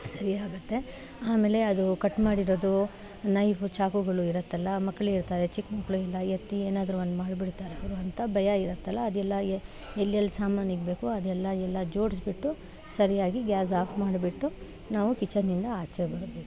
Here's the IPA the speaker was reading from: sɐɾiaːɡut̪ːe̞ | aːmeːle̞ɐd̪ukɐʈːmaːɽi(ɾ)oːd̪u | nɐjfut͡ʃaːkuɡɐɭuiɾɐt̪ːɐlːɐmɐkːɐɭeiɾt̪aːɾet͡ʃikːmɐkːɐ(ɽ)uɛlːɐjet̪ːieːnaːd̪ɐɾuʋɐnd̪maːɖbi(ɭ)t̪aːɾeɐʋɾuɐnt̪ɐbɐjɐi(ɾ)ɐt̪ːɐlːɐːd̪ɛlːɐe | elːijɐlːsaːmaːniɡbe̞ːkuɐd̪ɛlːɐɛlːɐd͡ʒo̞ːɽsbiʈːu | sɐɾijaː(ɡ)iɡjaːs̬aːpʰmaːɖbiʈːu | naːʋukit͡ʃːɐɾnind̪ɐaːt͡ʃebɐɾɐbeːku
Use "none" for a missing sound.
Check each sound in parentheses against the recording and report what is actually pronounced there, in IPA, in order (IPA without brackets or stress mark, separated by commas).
ɾ, ɭ, ɽ, ɾ, ɡ